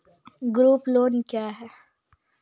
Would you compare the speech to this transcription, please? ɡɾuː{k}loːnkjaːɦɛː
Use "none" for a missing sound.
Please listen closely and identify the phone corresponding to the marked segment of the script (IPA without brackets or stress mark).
p